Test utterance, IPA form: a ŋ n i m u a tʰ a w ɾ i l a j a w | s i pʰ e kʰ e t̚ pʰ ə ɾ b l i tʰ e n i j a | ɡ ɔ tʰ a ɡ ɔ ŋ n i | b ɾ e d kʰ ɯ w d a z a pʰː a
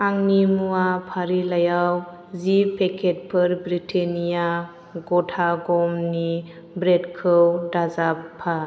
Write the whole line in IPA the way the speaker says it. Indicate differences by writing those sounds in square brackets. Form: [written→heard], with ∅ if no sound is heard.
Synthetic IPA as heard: a ŋ n i m u a [tʰ→pʰ] a [w→∅] ɾ i l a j a w | [s→z] i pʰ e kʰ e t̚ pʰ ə ɾ b [l→ɾ] i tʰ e n i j a | ɡ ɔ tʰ a ɡ ɔ [ŋ→m] n i | b ɾ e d kʰ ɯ w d a z a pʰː a